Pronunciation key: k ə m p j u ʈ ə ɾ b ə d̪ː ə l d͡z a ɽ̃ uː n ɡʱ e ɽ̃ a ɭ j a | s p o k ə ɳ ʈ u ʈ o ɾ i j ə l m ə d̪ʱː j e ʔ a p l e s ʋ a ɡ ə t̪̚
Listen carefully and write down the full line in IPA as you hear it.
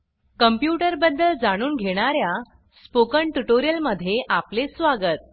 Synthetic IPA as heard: k ə m p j u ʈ ə ɾ b ə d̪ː ə l d͡z a ɽ̃ uː n ɡʱ e ɽ̃ a ɾ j a | s p o k ə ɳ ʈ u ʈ o ɾ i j ə l m ə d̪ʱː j e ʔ a p l e s ʋ a ɡ ə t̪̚